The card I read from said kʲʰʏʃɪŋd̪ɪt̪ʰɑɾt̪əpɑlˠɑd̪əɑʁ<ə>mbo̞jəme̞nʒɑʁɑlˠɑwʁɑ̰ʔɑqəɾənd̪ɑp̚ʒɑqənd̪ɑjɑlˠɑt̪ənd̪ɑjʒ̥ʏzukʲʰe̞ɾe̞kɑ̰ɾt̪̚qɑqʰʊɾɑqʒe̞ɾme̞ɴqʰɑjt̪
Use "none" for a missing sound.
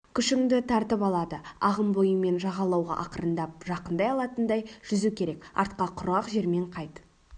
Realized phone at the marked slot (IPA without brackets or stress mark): ə